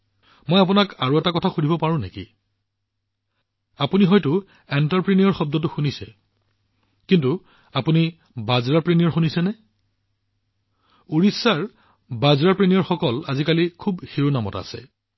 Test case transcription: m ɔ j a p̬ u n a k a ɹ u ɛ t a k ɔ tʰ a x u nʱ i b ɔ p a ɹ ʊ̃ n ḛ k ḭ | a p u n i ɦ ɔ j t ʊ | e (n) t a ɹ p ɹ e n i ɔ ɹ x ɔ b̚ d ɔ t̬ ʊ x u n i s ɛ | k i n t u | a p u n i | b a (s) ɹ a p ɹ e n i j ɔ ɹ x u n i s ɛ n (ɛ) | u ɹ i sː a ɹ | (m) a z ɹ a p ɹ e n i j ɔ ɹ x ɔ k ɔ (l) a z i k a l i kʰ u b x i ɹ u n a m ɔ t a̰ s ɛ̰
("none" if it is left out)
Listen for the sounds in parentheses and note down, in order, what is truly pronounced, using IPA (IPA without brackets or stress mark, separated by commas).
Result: n, z, ɛ, b, l